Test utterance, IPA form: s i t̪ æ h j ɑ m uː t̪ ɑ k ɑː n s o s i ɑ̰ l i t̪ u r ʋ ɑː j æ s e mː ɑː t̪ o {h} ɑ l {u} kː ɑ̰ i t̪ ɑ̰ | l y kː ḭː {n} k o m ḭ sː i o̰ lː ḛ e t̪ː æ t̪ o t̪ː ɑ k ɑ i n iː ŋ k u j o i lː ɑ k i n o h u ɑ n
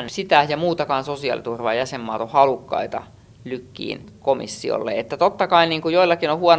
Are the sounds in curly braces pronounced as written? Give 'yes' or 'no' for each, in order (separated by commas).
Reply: yes, yes, yes